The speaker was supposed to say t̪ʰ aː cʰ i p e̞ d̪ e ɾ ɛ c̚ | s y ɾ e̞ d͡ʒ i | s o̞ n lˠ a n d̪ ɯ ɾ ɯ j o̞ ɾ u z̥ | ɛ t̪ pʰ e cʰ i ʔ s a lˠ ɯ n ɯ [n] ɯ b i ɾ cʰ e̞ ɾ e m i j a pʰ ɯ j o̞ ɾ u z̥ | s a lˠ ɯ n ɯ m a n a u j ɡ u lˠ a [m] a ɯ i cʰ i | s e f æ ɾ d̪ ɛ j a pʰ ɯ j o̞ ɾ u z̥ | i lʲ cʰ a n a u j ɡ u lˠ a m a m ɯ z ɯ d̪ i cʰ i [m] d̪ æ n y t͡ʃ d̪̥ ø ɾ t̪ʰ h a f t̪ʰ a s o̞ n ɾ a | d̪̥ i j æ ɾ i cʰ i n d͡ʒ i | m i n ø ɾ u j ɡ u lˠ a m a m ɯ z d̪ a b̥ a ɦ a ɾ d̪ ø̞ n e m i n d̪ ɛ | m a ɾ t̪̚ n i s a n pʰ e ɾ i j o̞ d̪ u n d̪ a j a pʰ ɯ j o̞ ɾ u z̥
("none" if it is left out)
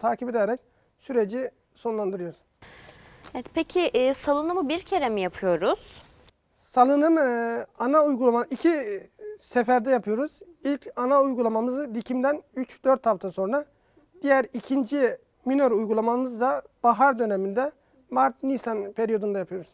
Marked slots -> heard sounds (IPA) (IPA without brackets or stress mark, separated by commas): m, m, m